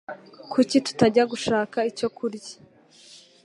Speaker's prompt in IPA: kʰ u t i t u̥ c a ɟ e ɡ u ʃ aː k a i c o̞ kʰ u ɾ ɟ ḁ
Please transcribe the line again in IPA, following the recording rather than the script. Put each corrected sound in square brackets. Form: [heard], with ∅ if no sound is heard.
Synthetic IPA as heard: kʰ u [c] i t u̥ [t] a ɟ [a] ɡ u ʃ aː k a i c o̞ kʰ u ɾ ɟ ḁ